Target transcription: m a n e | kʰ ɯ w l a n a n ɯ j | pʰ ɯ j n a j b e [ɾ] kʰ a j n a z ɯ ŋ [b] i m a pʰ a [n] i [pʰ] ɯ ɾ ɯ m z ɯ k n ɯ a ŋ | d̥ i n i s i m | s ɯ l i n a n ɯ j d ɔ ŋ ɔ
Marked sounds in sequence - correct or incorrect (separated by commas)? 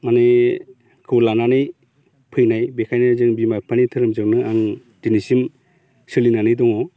incorrect, correct, correct, incorrect